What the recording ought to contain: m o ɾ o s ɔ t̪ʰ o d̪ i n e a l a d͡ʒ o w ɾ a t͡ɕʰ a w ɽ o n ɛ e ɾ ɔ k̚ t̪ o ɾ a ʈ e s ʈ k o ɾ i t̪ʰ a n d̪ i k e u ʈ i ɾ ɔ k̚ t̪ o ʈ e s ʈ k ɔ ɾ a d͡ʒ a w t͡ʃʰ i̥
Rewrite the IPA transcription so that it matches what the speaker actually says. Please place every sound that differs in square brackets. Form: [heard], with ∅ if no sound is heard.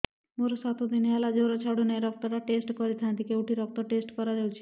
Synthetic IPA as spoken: m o ɾ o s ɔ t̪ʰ o d̪ i n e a l a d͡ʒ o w ɾ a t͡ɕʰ a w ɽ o n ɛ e ɾ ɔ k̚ t̪ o ɾ a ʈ e s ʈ k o ɾ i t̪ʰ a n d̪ i k e u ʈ i ɾ ɔ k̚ t̪ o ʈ e s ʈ k ɔ ɾ a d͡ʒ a w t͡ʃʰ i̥